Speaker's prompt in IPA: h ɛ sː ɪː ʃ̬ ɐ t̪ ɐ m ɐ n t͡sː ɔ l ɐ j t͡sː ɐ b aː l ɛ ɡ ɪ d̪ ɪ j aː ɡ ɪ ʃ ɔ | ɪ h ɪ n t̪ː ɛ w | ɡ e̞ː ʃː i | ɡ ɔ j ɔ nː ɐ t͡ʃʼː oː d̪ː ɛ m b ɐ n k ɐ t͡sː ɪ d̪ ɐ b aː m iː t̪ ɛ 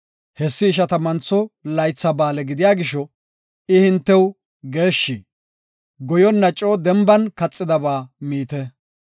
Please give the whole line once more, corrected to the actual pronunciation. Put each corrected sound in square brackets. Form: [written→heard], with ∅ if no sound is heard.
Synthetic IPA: h ɛ sː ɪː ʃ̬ ɐ t̪ ɐ m ɐ n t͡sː ɔ l ɐ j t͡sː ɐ b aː l ɛ ɡ ɪ d̪ ɪ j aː ɡ ɪ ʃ ɔ | ɪ h ɪ n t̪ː ɛ w | ɡ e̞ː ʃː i | ɡ ɔ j ɔ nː ɐ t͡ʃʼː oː [d̪ː→d̪] ɛ m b ɐ n k ɐ [t͡sː→t͡sʼː] ɪ d̪ ɐ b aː m iː t̪ ɛ